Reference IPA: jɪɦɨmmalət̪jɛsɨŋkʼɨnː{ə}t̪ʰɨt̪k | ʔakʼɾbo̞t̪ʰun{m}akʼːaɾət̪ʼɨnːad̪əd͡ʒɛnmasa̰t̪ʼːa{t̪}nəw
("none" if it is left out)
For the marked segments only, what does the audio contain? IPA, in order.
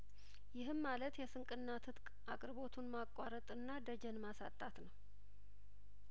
a, m, t̪

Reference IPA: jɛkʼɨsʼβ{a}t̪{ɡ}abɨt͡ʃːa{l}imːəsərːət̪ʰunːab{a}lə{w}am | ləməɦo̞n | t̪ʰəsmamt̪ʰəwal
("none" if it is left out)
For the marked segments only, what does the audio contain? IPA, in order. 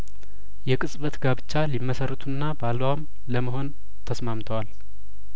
ə, ɡ, l, a, w

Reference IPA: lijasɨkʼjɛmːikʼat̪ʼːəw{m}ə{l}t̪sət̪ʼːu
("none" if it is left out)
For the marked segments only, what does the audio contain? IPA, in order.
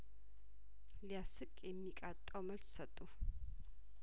m, l

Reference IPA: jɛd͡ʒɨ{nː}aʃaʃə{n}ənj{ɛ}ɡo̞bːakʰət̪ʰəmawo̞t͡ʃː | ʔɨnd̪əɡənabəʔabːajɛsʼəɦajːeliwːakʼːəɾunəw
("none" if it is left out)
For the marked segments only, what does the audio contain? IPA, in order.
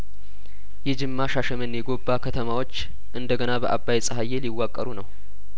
mː, m, ɛ

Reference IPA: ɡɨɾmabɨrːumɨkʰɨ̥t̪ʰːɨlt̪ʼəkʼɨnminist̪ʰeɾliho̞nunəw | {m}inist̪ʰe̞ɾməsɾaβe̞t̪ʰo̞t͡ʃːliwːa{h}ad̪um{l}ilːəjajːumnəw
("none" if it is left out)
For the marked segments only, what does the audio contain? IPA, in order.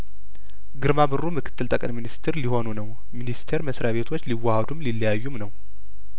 m, h, l

